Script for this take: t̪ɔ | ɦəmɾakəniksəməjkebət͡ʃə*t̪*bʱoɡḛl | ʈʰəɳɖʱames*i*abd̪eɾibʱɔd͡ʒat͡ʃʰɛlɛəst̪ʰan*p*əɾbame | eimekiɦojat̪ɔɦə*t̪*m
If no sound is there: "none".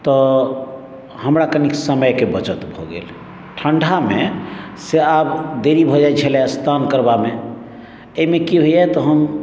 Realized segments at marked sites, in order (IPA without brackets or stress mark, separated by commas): t̪, e, k, none